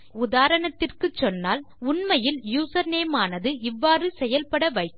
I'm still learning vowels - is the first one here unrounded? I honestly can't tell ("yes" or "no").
no